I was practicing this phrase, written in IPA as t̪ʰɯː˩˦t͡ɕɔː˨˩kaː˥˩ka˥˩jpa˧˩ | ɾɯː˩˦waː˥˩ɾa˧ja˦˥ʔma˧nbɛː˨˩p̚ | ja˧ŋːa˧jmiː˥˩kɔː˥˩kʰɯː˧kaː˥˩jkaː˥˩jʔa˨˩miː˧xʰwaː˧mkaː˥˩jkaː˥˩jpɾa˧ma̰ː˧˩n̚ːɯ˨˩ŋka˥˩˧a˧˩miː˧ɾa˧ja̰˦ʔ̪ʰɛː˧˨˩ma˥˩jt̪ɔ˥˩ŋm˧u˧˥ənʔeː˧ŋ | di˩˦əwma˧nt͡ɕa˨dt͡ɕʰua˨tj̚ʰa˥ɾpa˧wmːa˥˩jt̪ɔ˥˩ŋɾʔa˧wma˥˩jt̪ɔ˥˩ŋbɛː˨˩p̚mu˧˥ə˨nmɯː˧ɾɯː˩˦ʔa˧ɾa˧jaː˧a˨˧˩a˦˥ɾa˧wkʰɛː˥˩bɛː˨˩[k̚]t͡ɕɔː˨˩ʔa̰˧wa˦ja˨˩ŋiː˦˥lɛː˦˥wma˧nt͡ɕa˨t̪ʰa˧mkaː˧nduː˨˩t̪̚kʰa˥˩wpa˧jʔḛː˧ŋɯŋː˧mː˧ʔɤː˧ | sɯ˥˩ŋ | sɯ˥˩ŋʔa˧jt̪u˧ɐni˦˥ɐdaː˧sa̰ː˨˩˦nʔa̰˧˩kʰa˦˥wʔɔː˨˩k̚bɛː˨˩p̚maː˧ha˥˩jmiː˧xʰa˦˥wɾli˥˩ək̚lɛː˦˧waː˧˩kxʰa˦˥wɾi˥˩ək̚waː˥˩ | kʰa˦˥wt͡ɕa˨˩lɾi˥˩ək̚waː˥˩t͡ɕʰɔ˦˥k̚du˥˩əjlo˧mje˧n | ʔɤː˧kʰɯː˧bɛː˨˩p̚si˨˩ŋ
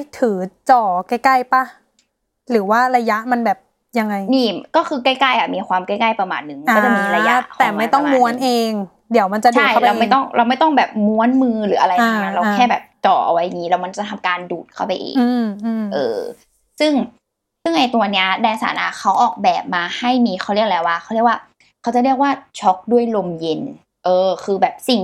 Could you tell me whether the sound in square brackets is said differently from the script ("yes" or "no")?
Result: yes